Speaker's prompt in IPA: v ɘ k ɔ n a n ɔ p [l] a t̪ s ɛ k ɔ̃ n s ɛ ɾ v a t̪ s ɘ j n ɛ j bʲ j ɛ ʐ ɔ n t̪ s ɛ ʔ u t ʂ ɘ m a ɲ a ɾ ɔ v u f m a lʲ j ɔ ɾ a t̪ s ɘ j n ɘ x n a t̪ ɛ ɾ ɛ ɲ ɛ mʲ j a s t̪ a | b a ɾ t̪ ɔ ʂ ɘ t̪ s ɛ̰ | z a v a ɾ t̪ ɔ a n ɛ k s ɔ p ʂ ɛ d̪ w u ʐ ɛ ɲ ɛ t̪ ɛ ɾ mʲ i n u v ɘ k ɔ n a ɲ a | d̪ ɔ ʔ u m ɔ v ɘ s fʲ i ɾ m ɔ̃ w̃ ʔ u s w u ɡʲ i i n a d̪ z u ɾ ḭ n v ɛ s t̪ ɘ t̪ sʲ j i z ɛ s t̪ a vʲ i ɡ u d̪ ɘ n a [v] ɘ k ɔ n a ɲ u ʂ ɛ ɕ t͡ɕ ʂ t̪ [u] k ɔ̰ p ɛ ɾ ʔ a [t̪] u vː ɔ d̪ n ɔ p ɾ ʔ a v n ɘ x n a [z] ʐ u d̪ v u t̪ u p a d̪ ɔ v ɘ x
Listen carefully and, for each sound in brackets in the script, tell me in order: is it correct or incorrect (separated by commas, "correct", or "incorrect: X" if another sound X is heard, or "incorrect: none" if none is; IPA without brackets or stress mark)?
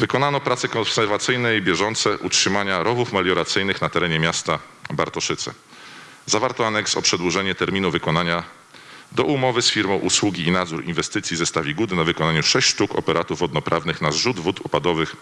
incorrect: ɾ, correct, correct, correct, correct